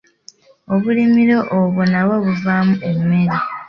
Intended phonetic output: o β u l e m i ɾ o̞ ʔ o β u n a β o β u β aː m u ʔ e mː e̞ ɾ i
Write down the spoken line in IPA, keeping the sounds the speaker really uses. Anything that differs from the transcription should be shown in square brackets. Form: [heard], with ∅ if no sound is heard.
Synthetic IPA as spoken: o β u l [i] m i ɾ o̞ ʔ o β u n a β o β u [v] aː m u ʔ e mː e̞ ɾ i